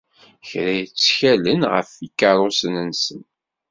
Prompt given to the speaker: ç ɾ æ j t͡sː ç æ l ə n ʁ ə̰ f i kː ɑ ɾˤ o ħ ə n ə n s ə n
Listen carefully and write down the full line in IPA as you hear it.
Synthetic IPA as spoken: ç ɾ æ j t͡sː ç æ l ə n ʁ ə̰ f i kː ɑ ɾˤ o s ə n ə n s ə n